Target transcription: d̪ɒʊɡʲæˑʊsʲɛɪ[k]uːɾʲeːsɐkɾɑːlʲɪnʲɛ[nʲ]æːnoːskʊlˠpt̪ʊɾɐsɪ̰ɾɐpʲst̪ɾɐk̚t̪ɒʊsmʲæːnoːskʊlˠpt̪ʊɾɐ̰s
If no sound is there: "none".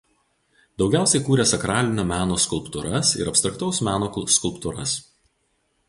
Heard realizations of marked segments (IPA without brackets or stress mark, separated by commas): k, mʲ